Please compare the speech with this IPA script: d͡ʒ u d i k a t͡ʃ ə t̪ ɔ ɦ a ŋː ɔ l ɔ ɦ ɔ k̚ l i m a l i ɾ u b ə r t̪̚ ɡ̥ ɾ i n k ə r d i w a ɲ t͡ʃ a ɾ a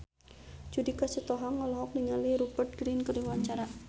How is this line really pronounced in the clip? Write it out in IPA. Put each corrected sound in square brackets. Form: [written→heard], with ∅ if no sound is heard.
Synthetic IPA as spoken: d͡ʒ u d i k a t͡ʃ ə t̪ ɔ ɦ a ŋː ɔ l ɔ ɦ ɔ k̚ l i [m→ŋ] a l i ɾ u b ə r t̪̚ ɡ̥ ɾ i n k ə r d i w a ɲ t͡ʃ a ɾ a